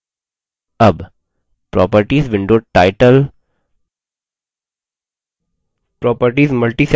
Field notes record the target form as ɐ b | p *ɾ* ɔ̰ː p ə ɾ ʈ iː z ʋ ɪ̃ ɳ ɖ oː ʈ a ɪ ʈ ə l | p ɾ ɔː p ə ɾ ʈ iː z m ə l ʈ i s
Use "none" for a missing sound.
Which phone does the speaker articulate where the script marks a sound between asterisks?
ɾ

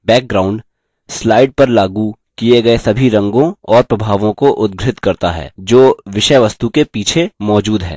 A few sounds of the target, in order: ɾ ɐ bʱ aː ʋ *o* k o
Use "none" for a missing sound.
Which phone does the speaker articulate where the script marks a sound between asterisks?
õ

